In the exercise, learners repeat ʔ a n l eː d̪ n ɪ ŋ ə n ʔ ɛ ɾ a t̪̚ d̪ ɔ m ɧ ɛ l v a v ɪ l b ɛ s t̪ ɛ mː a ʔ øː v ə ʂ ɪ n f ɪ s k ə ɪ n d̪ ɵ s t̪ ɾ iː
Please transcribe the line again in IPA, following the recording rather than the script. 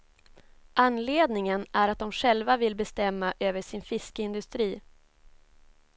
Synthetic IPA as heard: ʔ a n l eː d̪ n ɪ ŋ ə n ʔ æ ɾ a t̪̚ d̪ ɔ m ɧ ɛ l v a v ɪ l b ɛ s t̪ ɛ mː a ʔ øː v ə ʂ ɪ n f ɪ s k ə ɪ n d̪ ɵ s t̪ ɾ iː